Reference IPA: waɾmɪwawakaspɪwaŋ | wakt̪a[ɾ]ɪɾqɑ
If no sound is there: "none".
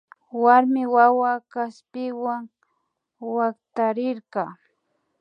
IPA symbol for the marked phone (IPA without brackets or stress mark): ɾ